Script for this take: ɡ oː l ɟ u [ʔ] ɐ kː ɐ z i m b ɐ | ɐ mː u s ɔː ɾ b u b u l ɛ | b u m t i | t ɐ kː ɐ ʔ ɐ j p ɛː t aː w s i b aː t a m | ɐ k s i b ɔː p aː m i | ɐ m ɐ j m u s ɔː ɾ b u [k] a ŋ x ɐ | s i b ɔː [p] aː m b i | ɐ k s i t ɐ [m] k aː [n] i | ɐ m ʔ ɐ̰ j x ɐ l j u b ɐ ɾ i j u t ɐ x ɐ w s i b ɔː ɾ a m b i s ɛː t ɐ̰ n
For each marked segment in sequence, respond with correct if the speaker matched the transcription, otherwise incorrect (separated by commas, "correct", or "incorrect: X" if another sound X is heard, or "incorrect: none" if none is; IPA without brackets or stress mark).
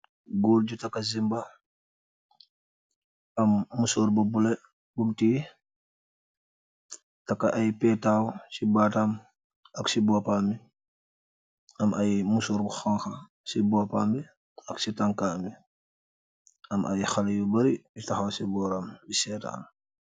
incorrect: t, incorrect: x, correct, incorrect: ŋ, incorrect: m